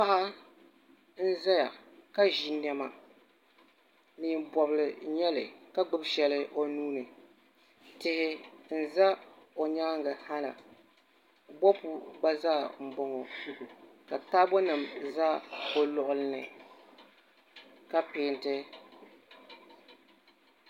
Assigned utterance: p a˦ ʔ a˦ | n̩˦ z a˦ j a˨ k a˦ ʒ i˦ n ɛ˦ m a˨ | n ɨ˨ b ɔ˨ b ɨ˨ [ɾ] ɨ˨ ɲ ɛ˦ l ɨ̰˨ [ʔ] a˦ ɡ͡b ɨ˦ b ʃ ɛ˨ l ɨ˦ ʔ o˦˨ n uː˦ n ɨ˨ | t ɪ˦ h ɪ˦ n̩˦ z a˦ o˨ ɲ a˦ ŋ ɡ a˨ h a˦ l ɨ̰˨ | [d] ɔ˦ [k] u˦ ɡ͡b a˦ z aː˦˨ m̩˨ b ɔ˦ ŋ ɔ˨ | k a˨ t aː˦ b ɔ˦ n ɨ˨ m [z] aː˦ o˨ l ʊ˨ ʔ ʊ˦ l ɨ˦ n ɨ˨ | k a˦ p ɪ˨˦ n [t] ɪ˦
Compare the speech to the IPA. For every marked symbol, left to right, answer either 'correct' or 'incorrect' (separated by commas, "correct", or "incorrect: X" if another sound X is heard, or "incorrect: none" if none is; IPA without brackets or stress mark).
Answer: incorrect: l, incorrect: k, incorrect: b, incorrect: p, correct, correct